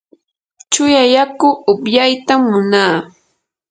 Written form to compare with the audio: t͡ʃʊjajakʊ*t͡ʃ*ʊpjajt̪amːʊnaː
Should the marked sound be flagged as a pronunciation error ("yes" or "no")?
yes